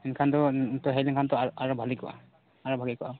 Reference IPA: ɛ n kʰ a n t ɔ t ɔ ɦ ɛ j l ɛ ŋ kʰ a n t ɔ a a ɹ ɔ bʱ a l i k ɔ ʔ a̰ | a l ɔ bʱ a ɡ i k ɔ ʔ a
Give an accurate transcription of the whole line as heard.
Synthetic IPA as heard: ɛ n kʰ a n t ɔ t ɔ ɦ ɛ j l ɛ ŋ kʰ a n t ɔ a a ɹ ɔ bʱ a l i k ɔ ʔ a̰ | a ɹ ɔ bʱ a ɡ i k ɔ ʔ a